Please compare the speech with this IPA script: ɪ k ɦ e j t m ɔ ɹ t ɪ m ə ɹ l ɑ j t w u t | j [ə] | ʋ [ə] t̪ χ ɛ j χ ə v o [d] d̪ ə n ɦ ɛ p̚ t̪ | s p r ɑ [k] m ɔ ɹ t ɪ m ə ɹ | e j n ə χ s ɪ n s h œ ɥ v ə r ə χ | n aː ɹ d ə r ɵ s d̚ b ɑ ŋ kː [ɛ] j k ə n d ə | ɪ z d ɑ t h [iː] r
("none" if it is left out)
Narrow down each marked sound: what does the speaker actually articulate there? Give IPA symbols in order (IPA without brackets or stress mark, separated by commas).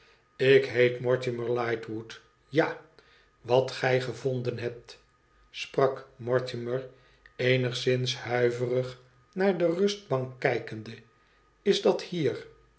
a, ɑ, n, k, ɛ, iː